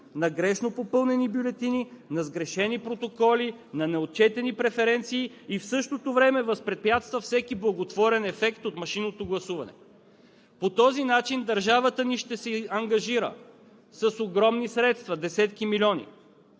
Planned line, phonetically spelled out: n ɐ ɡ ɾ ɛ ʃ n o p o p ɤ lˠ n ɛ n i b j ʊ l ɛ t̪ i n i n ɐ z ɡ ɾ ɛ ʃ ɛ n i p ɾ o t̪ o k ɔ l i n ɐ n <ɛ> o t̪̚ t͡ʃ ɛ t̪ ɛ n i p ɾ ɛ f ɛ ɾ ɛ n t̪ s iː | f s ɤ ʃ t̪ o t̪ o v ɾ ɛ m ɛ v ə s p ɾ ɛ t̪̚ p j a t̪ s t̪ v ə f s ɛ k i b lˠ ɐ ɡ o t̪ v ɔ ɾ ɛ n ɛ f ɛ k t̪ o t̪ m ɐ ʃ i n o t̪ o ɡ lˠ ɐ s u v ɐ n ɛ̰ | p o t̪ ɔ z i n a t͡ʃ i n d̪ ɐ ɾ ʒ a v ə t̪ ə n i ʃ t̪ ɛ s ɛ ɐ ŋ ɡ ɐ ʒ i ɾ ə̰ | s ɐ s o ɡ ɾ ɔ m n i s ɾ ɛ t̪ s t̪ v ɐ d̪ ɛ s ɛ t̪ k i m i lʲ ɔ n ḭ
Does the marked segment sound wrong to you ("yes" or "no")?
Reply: no